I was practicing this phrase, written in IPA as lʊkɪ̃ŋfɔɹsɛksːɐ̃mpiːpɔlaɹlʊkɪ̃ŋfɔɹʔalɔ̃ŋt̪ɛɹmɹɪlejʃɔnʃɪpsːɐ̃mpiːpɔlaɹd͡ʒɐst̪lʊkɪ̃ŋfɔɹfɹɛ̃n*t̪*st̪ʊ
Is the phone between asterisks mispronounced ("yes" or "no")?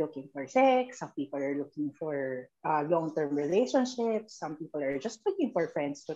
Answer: yes